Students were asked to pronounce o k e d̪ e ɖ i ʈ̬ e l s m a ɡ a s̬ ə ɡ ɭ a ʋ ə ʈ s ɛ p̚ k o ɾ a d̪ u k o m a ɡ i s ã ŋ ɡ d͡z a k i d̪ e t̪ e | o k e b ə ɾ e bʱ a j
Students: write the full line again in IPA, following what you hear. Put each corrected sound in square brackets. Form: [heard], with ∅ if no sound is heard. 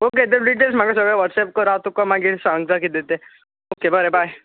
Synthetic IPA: o k e d̪ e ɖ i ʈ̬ e l s m a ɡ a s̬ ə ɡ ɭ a ʋ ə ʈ s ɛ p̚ k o ɾ a [t̪] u k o m a ɡ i s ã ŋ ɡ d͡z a k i d̪ e t̪ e | o k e b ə ɾ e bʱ a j